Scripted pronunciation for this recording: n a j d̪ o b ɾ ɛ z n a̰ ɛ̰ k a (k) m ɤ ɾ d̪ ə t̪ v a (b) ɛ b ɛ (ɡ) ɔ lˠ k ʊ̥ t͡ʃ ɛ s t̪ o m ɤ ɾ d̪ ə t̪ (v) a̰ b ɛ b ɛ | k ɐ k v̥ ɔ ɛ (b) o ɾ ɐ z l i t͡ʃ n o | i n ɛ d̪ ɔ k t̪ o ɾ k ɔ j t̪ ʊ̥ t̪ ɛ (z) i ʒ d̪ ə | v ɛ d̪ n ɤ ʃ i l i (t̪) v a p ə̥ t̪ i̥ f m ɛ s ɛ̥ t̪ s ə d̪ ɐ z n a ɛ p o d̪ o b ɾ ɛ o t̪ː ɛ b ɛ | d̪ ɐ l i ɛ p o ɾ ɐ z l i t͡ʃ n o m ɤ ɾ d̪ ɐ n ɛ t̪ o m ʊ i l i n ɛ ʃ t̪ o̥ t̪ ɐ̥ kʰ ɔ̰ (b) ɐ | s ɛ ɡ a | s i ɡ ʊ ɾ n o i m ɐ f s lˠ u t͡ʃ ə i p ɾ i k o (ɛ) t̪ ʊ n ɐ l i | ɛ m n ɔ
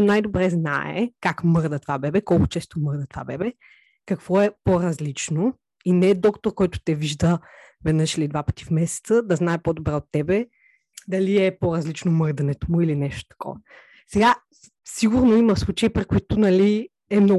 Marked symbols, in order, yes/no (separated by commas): yes, yes, no, yes, no, no, no, no, no